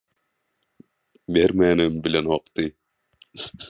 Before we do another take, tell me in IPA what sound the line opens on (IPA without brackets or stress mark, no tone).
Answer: b